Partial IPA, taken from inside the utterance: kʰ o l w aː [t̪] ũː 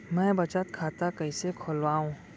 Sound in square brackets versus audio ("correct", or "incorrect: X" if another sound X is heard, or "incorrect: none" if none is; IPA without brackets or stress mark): incorrect: none